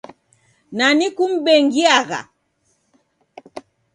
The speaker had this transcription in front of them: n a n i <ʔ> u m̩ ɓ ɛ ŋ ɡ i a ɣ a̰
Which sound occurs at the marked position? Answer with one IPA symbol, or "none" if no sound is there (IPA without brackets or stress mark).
k